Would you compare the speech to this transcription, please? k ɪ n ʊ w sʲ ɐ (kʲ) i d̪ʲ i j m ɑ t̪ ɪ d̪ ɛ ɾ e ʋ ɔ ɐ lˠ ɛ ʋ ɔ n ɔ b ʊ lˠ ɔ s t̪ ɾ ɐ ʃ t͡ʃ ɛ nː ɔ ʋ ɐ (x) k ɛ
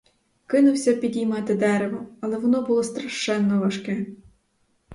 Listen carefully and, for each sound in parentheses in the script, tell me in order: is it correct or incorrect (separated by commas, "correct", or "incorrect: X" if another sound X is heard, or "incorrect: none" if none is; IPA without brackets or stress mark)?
incorrect: pʲ, incorrect: ʃ